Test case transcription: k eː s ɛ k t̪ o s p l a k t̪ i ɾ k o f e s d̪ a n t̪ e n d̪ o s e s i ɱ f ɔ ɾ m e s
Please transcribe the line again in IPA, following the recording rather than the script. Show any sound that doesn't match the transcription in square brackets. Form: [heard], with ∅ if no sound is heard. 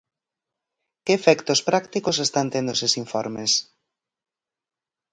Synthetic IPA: k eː [f] ɛ k t̪ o s p [ɾ] a k t̪ i [∅] k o [s] e s [t̪] a n t̪ e n d̪ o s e s i ɱ f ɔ ɾ m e s